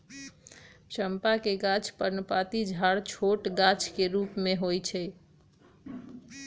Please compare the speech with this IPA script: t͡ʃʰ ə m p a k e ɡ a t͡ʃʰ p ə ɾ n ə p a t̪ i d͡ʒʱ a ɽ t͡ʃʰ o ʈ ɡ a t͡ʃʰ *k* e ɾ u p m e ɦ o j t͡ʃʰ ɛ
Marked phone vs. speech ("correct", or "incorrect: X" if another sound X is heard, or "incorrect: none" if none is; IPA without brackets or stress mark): correct